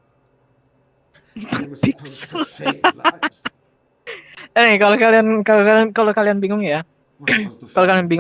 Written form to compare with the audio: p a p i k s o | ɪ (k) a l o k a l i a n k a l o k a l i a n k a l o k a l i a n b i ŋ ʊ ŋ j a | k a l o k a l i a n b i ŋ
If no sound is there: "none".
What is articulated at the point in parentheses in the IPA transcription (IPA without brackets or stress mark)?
k